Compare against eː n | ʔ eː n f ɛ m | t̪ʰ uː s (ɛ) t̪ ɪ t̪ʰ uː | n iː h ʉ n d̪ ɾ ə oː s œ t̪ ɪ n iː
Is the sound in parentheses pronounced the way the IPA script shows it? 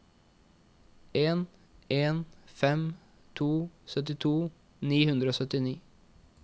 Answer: no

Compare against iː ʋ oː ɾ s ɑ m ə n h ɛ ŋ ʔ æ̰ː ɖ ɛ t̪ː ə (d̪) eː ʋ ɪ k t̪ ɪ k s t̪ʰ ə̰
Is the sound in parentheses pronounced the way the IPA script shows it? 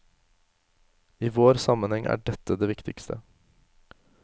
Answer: yes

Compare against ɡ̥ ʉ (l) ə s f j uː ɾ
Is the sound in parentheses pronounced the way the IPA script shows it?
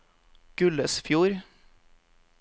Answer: yes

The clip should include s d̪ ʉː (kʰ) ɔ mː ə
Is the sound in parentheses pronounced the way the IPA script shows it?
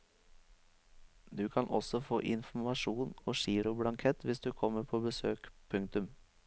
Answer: yes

